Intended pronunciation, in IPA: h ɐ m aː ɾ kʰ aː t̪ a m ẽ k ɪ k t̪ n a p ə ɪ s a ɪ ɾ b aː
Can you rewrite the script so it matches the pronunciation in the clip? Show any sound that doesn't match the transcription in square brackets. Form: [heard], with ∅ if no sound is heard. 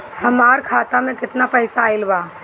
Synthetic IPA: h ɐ m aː ɾ kʰ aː t̪ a m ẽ k ɪ [∅] t̪ n a p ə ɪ s a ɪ [l] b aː